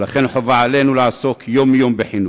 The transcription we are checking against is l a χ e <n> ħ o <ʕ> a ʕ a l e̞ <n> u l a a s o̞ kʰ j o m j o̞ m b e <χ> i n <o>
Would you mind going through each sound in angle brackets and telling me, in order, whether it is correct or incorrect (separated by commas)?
correct, incorrect, correct, incorrect, incorrect